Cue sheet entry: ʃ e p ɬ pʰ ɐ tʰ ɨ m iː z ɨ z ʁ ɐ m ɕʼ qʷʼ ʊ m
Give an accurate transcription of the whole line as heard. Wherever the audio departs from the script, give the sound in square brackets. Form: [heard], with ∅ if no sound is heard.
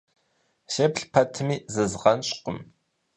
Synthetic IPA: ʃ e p ɬ pʰ ɐ tʰ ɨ m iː z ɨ z ʁ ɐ [n] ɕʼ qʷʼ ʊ m